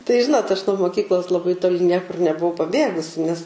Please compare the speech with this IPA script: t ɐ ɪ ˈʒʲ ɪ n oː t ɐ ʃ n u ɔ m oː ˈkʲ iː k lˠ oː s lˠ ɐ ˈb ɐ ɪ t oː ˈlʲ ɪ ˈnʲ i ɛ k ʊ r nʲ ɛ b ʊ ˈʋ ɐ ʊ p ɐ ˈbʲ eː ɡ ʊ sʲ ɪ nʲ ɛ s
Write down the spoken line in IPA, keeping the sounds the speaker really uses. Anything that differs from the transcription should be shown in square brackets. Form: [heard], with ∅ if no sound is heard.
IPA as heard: t ɐ ɪ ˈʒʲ ɪ n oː t ɐ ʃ n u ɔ m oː ˈkʲ iː k lˠ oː s lˠ ɐ ˈb ɐ ɪ t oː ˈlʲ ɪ ˈnʲ i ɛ k ʊ r nʲ ɛ b ʊ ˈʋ ɐ ʊ p ɐ ˈbʲ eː ɡ ʊ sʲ ɪ nʲ ɛ s